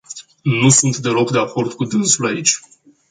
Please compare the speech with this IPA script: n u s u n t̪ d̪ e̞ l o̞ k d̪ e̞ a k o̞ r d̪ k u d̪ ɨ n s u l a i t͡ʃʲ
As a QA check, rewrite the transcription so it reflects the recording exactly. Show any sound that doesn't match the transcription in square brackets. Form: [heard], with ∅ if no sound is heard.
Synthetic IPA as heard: n u s u n t̪ d̪ e̞ l o̞ k d̪ e̞ a k o̞ r d̪ k u d̪ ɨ n s u l a i t͡ʃʲ